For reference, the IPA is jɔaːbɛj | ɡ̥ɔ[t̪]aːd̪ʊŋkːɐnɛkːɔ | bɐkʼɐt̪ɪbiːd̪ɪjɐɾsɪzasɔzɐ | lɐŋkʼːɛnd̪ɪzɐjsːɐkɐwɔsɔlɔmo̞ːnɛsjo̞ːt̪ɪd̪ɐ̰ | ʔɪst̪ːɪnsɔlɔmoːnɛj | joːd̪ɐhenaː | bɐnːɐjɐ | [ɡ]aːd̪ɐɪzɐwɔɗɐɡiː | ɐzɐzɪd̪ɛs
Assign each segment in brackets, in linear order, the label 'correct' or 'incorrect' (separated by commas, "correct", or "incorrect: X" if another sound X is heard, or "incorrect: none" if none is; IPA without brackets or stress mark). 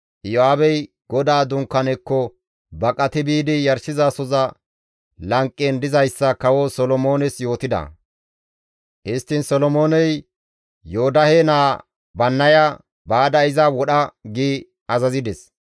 incorrect: d̪, incorrect: b